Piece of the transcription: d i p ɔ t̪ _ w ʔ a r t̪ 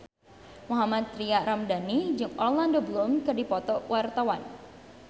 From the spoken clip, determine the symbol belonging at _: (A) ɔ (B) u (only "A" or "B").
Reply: A